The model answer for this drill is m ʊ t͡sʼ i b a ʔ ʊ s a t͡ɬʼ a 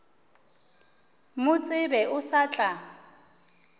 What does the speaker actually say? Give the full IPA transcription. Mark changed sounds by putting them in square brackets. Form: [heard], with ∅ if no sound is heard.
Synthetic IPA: m ʊ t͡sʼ [ɪ] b [ɛ] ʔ ʊ s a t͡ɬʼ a